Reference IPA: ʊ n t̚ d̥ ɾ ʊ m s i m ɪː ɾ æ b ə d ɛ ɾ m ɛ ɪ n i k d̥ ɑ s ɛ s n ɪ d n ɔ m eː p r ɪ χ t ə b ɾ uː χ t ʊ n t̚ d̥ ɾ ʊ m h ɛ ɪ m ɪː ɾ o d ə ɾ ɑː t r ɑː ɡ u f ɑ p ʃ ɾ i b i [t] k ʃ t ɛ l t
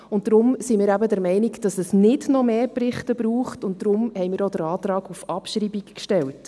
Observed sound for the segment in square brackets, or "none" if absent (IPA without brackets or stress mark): k